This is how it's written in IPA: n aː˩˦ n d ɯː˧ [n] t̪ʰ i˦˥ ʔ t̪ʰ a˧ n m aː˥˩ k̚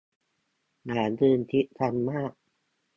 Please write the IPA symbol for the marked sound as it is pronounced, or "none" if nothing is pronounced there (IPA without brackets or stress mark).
n